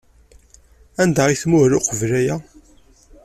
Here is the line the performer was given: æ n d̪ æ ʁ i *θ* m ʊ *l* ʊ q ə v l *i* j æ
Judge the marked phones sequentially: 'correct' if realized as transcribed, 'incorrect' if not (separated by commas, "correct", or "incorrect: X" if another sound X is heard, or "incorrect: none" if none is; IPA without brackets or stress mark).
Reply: correct, incorrect: ɾ, incorrect: æ